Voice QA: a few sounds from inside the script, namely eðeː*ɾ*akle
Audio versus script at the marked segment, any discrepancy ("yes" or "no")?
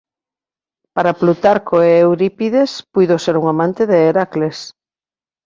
no